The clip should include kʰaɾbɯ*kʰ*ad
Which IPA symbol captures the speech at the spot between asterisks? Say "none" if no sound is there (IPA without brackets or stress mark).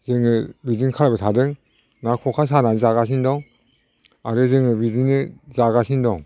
tʰ